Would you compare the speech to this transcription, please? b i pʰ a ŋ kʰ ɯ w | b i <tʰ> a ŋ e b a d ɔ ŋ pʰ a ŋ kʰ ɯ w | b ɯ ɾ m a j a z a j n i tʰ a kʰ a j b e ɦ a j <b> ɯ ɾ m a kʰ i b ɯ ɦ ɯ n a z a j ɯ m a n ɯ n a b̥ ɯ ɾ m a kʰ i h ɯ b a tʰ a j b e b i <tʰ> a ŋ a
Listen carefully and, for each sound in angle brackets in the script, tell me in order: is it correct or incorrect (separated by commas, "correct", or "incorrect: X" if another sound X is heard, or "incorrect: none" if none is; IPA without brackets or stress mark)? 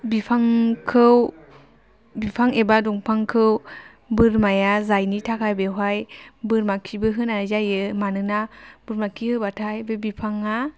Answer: incorrect: pʰ, correct, incorrect: pʰ